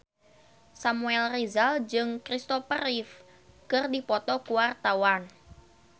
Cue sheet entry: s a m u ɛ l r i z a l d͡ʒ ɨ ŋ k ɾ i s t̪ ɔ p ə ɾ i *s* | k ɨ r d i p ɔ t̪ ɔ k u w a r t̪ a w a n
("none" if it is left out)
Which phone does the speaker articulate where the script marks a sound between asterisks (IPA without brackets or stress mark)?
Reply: f